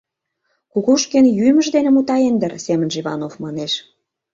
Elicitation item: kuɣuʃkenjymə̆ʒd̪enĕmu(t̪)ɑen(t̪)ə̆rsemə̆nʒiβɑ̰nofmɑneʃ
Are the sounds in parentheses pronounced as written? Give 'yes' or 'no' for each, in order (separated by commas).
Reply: yes, no